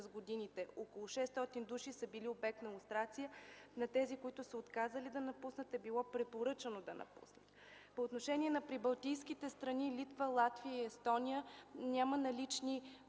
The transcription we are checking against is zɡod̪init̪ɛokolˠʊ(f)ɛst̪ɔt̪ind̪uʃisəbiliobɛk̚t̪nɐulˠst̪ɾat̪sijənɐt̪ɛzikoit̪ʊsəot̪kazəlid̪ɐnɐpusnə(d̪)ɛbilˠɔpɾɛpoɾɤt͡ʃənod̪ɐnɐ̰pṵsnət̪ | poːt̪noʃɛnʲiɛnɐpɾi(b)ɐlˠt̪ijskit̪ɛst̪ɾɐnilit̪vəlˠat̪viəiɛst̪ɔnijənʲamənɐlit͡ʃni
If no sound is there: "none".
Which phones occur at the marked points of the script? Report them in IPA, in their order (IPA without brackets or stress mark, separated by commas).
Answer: ʃ, t̪, b